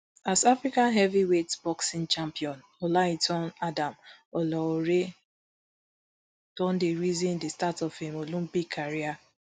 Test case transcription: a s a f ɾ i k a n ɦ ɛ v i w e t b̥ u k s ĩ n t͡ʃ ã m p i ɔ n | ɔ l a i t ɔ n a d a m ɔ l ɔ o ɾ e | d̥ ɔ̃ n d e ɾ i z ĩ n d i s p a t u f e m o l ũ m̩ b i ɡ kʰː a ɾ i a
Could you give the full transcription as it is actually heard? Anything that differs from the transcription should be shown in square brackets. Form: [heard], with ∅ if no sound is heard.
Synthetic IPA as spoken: a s a f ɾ i k a n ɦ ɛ v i w e t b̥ [ɔ] k s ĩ n t͡ʃ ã m p i ɔ n | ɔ l a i t ɔ n a d a m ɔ l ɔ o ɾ e | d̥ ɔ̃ n d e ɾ i z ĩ n d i s [t] a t [ɔ] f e m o l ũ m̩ b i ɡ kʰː a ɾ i a